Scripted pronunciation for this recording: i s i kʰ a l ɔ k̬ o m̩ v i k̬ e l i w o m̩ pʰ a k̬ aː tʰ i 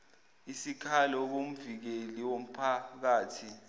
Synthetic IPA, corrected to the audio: i s i kʰ a l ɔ k̬ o m̩ v i k̬ e l i w o m̩ pʰ a k̬ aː tʰ i